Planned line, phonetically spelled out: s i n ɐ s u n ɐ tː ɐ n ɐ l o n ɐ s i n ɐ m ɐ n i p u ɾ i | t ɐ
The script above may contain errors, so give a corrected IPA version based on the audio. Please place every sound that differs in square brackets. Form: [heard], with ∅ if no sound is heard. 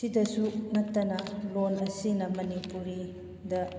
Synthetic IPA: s i [d] ɐ s u n ɐ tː ɐ n ɐ l o n ɐ s i n ɐ m ɐ n i p u ɾ i | [d] ɐ